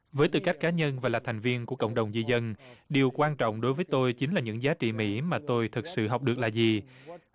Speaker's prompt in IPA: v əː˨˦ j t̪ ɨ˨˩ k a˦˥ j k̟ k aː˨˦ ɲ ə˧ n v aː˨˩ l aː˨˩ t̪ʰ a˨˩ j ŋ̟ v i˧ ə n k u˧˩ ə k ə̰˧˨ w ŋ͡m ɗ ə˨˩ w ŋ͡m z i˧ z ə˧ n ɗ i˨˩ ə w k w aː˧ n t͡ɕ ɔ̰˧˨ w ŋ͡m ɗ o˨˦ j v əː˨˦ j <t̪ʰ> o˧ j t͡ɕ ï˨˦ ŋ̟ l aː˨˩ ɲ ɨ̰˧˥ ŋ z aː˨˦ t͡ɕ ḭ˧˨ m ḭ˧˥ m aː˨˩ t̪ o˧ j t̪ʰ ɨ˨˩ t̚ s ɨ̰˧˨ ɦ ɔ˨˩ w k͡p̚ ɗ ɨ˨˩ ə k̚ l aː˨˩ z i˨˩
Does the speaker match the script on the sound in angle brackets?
no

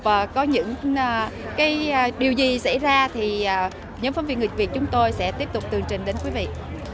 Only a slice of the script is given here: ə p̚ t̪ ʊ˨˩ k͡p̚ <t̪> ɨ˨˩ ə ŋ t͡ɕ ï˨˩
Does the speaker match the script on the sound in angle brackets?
yes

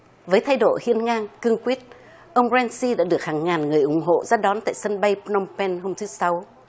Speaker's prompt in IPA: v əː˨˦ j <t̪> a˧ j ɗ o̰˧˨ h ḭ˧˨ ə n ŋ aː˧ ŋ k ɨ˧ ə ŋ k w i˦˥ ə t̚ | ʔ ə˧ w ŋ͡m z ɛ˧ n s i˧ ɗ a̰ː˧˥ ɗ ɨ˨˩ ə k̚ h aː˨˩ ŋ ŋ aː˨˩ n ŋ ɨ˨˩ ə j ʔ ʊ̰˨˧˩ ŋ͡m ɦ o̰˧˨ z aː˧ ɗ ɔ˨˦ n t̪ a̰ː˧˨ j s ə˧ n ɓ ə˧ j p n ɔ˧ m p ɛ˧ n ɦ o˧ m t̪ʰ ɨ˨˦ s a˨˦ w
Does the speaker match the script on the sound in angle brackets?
no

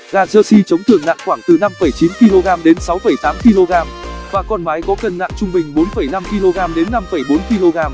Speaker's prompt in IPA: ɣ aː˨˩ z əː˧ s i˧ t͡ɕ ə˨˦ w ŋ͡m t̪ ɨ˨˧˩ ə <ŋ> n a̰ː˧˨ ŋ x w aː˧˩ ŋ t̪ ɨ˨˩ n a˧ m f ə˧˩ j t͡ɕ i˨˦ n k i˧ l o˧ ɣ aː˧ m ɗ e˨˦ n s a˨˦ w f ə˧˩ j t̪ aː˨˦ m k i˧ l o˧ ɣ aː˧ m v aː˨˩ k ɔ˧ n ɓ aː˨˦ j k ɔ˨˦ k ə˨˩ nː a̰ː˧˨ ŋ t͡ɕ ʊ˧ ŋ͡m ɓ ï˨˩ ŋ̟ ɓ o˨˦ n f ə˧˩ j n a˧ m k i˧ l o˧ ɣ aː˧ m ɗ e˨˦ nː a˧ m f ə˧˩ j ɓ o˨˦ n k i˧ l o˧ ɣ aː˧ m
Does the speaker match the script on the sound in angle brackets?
yes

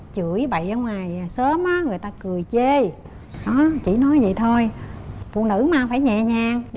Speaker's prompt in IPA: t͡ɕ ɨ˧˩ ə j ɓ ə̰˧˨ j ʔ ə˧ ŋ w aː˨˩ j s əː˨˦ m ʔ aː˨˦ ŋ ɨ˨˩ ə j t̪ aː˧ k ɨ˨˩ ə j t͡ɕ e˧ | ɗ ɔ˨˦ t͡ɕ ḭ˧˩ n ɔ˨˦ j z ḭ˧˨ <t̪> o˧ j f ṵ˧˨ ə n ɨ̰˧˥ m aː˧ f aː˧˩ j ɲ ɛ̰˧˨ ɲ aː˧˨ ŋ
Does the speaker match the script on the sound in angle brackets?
no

